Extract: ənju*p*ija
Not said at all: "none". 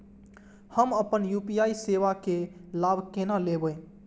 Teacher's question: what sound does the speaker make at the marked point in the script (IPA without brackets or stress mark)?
p